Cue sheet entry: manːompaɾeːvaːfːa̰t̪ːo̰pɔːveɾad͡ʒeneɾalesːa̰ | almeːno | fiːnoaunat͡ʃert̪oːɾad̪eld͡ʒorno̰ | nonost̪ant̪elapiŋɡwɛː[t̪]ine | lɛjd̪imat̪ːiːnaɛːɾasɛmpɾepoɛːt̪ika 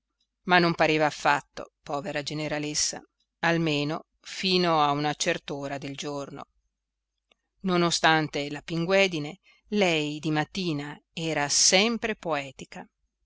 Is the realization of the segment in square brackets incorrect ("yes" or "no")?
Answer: yes